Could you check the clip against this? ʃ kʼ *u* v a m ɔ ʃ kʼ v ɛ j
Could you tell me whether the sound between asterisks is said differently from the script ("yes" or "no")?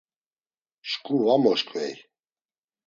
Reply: no